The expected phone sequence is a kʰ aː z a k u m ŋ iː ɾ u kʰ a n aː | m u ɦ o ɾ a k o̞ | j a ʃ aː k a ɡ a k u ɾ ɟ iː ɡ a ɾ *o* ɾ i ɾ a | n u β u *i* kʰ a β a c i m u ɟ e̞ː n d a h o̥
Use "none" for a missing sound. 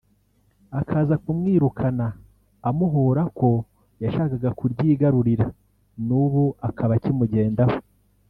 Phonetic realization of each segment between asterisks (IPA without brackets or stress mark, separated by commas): u, a